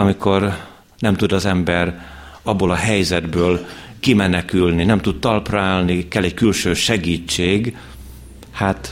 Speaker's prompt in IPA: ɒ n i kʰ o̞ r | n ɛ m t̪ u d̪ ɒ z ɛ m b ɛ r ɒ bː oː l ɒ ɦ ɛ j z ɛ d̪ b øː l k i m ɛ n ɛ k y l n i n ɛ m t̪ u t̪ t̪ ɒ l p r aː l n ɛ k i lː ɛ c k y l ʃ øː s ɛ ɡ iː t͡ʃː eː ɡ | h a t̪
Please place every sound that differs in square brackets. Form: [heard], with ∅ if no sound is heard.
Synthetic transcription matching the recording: ɒ [m] i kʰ o̞ r | n ɛ m t̪ u d̪ ɒ z ɛ m b ɛ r ɒ bː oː l ɒ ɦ ɛ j z ɛ d̪ b øː l k i m ɛ n ɛ k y l n i n ɛ m t̪ u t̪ t̪ ɒ l p r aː l n [i] k [ɛ] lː ɛ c k y l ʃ øː [ʃ] ɛ ɡ iː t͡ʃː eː ɡ | h a t̪